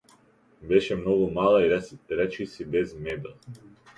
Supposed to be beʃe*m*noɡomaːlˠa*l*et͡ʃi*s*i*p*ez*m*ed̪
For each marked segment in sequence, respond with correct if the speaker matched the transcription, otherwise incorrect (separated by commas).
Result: correct, incorrect, correct, incorrect, correct